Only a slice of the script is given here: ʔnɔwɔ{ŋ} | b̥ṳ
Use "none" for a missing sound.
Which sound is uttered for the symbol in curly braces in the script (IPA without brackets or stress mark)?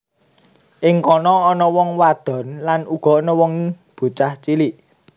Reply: ŋ